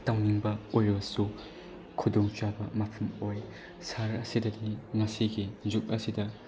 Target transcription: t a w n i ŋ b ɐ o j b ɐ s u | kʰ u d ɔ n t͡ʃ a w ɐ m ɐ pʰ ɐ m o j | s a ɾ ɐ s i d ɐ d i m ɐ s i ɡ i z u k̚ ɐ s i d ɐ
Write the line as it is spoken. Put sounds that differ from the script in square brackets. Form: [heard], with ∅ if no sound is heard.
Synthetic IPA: t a w n i ŋ b ɐ o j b ɐ s u | kʰ u d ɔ [ŋ] t͡ʃ a [b] ɐ m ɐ pʰ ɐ m o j | s a ɾ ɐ s i d ɐ d i [ŋ] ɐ s i ɡ i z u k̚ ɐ s i d ɐ